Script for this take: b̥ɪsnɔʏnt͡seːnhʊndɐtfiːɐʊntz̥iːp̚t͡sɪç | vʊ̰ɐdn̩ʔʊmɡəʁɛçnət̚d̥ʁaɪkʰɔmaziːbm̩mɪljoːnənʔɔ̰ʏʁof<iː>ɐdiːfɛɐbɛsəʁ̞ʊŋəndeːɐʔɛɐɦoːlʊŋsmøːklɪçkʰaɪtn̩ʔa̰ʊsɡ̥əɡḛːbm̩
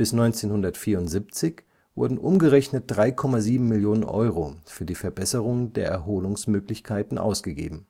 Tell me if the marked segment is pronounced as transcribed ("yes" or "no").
no